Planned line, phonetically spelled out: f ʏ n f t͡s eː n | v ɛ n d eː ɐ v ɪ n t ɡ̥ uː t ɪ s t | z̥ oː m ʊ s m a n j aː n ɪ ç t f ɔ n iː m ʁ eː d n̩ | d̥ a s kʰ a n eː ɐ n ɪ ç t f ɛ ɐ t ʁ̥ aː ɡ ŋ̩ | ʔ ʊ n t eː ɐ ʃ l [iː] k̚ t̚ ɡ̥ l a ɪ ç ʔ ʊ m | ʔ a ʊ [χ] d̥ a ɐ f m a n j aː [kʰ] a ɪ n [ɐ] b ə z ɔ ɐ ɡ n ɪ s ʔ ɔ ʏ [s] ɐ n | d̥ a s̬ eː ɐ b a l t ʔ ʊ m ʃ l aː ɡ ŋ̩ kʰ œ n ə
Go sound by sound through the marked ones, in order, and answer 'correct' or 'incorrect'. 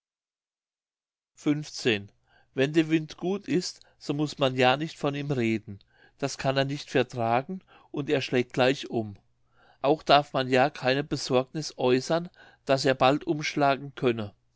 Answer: incorrect, incorrect, correct, incorrect, correct

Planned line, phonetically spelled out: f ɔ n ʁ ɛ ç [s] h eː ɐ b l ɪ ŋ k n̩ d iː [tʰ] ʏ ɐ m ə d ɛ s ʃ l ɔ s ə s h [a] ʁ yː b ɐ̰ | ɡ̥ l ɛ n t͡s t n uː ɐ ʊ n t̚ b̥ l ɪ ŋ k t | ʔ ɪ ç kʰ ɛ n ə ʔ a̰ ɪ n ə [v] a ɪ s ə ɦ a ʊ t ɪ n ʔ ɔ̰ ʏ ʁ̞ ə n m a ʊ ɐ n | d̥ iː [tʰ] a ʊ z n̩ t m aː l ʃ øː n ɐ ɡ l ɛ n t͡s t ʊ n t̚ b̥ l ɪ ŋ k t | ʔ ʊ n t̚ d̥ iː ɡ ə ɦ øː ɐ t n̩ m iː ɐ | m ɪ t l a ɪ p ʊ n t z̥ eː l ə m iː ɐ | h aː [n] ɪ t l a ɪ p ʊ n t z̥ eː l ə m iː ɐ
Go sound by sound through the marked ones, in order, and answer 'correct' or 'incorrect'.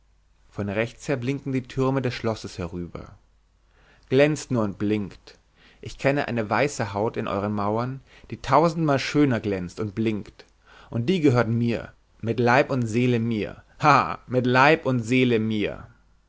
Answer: incorrect, correct, incorrect, correct, correct, incorrect

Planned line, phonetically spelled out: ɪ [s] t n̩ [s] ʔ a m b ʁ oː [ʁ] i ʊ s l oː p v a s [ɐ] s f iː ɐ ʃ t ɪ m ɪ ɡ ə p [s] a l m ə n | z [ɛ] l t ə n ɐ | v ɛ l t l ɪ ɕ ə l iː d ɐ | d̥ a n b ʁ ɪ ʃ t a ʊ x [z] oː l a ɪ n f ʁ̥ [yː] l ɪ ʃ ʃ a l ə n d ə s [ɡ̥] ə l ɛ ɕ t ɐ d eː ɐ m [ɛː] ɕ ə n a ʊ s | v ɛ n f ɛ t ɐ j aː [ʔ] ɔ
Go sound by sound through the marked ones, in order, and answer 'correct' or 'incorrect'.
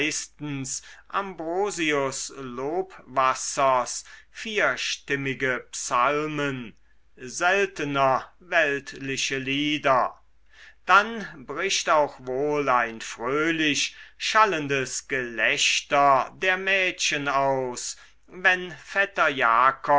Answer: correct, correct, incorrect, correct, correct, correct, incorrect, incorrect, correct, correct, incorrect

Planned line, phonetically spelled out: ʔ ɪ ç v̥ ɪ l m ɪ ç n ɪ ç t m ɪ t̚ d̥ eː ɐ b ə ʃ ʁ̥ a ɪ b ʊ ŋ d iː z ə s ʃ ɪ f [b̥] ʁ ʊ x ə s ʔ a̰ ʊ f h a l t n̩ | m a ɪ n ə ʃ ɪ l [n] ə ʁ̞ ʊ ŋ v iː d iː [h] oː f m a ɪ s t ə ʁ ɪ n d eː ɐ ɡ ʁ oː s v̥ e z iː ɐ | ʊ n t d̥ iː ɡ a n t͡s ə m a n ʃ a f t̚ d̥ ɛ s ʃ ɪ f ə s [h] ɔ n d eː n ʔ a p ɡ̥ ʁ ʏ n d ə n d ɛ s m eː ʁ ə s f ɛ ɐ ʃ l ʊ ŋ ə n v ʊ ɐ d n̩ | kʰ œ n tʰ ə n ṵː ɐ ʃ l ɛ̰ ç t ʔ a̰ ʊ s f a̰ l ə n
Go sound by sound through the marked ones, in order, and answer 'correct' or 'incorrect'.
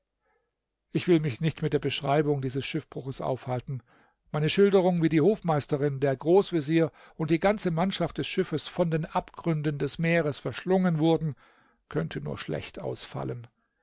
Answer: correct, incorrect, correct, incorrect

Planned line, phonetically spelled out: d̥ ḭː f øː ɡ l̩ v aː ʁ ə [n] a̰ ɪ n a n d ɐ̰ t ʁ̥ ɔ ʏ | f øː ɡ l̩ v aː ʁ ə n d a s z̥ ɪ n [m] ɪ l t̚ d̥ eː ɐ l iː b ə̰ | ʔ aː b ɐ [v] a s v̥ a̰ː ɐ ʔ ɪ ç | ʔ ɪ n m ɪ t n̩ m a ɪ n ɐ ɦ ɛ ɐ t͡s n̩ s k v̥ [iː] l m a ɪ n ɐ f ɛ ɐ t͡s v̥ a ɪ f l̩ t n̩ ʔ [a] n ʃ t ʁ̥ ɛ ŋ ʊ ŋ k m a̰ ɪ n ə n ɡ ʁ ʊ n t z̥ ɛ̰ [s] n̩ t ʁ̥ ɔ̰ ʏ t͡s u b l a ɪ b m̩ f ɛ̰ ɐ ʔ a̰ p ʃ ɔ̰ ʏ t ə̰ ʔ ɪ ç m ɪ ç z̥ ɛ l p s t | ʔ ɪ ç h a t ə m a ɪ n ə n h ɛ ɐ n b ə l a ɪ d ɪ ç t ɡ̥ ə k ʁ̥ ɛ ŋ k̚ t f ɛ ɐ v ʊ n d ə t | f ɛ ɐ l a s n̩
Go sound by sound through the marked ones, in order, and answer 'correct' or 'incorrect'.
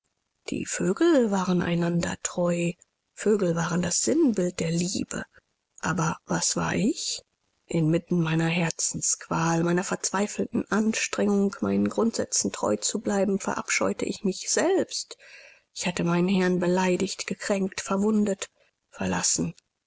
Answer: correct, incorrect, correct, incorrect, correct, incorrect

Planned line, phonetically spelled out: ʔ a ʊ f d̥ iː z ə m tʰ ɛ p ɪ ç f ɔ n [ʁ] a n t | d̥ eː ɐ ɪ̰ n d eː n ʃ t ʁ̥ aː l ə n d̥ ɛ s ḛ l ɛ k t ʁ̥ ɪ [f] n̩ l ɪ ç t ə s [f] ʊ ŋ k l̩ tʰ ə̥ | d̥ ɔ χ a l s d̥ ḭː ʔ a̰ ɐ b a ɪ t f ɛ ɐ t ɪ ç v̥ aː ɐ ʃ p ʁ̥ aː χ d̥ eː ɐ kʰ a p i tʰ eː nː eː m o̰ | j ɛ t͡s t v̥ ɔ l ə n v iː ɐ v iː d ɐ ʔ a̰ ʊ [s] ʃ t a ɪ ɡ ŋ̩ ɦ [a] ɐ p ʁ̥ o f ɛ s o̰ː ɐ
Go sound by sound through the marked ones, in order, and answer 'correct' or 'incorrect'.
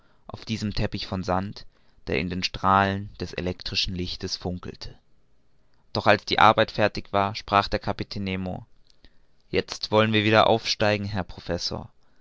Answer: incorrect, incorrect, correct, incorrect, incorrect

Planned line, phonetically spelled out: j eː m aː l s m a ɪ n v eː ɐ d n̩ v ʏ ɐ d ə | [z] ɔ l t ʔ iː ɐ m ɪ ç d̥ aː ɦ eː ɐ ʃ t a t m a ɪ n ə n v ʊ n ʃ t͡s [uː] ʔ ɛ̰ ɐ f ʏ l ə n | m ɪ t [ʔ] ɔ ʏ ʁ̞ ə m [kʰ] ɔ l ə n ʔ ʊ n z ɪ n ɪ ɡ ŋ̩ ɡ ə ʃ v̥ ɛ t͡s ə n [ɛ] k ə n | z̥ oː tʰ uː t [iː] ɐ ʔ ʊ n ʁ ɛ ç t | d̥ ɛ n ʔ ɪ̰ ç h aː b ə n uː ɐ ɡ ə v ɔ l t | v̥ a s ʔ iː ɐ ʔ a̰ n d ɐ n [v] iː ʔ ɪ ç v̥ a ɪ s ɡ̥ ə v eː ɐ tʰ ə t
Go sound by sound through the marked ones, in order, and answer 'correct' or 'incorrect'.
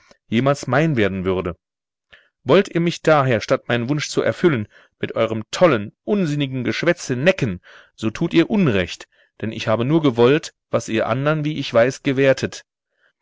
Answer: incorrect, incorrect, correct, incorrect, correct, correct, correct

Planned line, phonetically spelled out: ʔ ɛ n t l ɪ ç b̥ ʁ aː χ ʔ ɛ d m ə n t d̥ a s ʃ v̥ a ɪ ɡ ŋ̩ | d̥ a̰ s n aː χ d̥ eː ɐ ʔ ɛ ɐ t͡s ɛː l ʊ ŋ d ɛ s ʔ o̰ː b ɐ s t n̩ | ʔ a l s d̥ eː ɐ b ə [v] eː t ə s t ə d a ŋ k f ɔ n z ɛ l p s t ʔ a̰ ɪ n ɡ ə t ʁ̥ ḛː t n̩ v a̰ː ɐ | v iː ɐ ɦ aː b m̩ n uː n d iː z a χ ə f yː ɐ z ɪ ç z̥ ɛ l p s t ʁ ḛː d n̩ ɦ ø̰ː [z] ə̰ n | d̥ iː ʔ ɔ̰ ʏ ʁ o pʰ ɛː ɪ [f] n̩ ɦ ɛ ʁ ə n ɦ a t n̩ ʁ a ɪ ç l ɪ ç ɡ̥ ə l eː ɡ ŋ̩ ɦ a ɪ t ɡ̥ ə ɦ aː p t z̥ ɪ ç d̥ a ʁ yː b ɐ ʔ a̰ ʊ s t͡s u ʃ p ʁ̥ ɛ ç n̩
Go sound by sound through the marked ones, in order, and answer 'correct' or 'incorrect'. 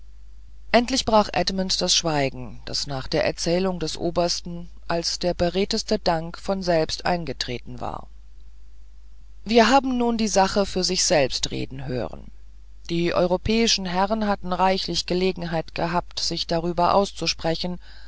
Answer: incorrect, incorrect, incorrect

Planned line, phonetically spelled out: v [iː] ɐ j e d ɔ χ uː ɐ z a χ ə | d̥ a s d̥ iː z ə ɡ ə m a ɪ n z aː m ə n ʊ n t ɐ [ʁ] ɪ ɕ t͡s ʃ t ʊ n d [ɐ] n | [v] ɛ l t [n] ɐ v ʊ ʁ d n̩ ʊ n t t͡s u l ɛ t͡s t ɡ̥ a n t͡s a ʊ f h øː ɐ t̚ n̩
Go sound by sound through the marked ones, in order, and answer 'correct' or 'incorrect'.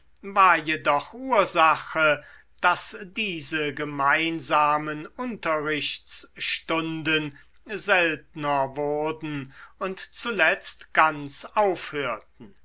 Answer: incorrect, correct, incorrect, incorrect, correct

